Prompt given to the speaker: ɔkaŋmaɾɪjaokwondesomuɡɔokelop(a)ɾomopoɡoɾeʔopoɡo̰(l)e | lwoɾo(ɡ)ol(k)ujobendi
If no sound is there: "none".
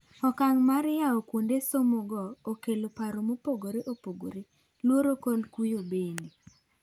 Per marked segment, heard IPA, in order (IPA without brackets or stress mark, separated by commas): a, ɾ, k, k